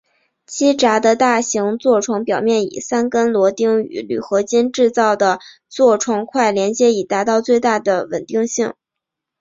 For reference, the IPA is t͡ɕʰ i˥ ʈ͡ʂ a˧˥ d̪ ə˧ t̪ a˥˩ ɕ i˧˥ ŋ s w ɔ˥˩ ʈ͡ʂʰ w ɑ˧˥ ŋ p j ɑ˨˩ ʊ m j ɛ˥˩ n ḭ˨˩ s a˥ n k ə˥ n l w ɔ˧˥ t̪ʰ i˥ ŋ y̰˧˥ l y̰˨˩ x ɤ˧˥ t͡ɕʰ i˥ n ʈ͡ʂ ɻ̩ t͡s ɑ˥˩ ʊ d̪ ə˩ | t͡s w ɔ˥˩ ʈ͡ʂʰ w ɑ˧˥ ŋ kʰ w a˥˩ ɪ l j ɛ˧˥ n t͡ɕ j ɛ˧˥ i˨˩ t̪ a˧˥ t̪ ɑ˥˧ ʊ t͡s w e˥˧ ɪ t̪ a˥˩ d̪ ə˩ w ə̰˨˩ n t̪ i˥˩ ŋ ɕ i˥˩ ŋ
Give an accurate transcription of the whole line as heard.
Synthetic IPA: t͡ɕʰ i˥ ʈ͡ʂ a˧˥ d̪ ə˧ t̪ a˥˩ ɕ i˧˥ ŋ t͡s w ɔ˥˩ ʈ͡ʂʰ w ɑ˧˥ ŋ p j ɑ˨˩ ʊ m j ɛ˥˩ n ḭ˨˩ s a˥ n k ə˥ n l w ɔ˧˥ t̪ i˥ ŋ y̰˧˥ l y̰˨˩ x ɤ˧˥ t͡ɕ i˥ n ʈ͡ʂ ɻ̩ t͡s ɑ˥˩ ʊ d̪ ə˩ | t͡s w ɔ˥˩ ʈ͡ʂʰ w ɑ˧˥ ŋ kʰ w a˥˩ ɪ l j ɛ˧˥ n t͡ɕ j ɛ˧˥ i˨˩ t̪ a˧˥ t̪ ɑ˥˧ ʊ t͡s w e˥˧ ɪ t̪ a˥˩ d̪ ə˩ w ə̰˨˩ n t̪ i˥˧ ŋ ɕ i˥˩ ŋ